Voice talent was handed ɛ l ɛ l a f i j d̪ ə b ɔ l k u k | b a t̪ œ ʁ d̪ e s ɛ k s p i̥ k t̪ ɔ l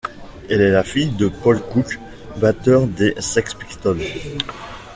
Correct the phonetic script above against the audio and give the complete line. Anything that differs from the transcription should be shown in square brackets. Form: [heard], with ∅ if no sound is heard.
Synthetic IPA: ɛ l ɛ l a f i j d̪ ə [p] ɔ l k u k | b a t̪ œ ʁ d̪ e s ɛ k s p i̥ k t̪ ɔ l